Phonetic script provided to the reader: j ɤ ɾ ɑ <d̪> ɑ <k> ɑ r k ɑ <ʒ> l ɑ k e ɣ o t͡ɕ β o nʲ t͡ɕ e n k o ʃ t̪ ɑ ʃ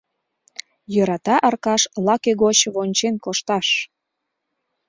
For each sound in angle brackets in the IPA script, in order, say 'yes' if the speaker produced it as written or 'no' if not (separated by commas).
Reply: no, no, no